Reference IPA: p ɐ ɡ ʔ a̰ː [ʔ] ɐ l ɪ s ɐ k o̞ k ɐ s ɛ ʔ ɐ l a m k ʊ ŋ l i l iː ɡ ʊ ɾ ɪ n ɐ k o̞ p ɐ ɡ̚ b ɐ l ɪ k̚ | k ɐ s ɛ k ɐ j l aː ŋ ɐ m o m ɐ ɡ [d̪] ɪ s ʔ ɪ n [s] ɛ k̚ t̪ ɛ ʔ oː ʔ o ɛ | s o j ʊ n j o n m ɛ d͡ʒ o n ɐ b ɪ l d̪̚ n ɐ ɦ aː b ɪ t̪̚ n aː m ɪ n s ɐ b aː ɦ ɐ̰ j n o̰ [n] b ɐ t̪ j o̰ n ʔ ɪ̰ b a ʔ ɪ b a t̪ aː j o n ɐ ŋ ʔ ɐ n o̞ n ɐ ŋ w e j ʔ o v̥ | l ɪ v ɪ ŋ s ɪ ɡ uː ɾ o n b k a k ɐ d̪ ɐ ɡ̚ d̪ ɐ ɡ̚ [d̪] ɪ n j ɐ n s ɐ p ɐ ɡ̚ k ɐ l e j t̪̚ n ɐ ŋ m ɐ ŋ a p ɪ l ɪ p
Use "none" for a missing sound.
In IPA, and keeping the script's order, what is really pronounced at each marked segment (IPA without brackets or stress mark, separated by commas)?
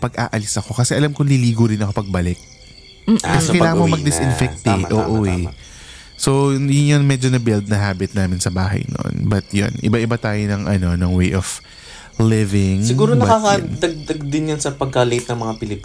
ʔ, d̪, f, n, d̪